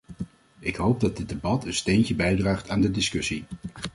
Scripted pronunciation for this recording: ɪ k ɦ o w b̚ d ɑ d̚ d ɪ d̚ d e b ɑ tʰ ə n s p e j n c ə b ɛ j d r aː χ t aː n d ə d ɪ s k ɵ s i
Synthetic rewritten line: ɪ k ɦ o w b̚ d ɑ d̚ d ɪ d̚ d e b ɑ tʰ ə n s t e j n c ə b ɛ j d r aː χ t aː n d ə d ɪ s k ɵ s i